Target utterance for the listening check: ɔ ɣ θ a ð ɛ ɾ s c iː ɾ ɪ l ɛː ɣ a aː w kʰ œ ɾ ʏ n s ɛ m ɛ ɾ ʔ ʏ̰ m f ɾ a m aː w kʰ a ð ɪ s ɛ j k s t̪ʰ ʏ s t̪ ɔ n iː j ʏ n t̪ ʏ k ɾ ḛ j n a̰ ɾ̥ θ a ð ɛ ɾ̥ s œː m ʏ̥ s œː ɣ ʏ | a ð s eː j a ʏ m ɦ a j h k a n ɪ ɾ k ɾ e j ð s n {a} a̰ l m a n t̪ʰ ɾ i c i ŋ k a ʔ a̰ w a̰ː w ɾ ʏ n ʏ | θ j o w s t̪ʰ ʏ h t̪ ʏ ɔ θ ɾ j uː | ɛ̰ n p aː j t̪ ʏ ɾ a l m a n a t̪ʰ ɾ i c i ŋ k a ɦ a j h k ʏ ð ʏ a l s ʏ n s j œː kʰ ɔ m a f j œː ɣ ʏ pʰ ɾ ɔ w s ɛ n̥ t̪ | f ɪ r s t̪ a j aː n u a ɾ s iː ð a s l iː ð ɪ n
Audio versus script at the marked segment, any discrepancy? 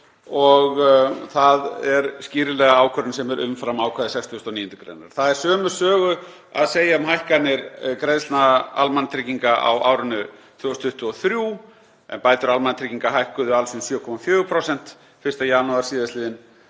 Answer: no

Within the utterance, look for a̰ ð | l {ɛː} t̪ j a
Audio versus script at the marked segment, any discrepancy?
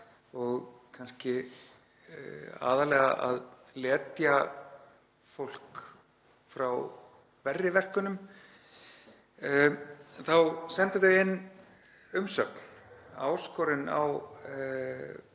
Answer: no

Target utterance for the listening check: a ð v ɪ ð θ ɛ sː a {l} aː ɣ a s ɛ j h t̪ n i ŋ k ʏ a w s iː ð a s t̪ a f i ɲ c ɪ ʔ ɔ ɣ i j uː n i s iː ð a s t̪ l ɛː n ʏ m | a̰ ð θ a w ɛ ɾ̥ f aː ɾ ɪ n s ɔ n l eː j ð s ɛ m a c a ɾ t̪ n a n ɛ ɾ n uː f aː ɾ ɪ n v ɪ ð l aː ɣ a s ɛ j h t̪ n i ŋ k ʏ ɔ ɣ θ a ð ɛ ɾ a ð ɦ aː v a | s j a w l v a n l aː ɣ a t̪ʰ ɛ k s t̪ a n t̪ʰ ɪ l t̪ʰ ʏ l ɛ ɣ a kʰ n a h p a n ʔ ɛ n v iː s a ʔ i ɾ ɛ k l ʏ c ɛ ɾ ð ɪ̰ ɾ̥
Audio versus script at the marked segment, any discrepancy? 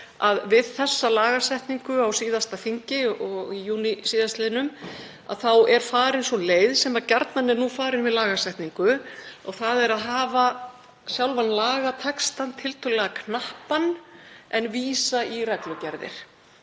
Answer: no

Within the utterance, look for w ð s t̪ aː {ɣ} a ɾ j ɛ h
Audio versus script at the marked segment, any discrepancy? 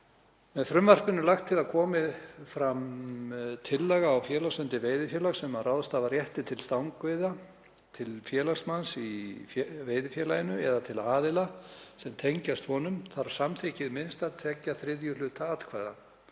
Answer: yes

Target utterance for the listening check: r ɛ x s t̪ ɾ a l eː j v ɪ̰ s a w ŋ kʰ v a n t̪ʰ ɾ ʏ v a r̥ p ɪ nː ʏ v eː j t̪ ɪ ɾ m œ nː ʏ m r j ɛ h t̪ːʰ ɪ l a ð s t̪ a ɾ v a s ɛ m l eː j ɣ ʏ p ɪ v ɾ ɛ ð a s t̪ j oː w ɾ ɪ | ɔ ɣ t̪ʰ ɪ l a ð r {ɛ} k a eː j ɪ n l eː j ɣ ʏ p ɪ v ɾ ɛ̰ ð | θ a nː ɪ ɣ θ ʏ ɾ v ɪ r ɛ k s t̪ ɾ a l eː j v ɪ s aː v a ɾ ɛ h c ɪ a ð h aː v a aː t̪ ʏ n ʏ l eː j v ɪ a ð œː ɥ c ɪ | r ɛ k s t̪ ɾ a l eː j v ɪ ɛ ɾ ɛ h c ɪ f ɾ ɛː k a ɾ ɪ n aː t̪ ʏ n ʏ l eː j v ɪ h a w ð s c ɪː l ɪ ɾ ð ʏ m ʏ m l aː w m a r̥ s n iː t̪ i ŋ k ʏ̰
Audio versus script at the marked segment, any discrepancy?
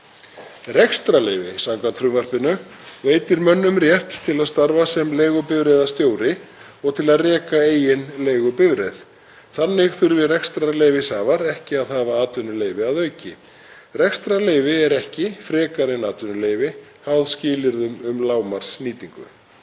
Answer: yes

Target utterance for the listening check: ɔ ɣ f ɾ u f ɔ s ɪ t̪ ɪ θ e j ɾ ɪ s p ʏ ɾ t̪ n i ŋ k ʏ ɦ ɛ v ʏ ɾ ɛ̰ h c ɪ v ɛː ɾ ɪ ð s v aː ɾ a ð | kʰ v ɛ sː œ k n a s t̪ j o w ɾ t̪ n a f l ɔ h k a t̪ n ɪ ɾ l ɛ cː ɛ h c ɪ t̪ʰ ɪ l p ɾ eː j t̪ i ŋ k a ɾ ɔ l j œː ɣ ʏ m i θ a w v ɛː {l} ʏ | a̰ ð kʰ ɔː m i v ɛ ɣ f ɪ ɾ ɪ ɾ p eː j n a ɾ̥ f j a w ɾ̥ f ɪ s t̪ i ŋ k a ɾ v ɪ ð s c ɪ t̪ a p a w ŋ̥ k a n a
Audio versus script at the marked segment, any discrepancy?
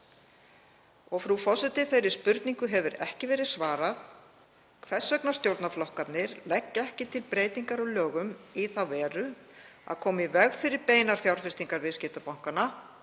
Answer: yes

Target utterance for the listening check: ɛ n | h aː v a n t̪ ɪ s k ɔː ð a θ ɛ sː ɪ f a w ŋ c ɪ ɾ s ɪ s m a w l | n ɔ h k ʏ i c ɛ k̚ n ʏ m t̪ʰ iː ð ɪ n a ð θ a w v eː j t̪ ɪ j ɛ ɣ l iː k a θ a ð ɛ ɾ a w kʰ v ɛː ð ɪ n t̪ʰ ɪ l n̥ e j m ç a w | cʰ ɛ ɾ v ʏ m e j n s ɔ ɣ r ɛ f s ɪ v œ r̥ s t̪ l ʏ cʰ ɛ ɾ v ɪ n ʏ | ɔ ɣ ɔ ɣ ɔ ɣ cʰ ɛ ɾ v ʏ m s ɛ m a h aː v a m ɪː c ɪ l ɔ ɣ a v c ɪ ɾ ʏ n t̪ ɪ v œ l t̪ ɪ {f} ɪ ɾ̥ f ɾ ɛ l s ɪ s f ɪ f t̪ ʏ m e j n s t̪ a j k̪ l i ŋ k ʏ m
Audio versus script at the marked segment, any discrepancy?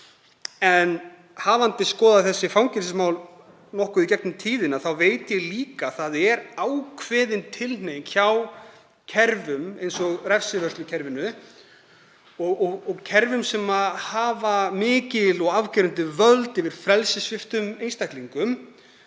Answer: yes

